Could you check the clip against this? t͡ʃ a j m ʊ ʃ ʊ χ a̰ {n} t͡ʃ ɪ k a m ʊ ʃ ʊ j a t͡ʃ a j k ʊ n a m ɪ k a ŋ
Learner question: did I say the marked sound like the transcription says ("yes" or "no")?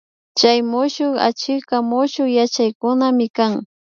no